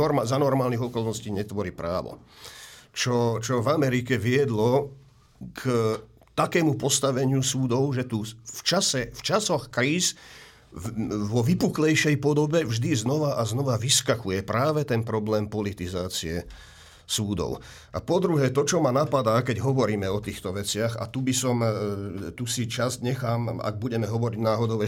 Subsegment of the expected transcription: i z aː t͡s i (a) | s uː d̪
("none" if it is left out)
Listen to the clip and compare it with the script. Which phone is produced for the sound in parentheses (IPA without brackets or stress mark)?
ɛ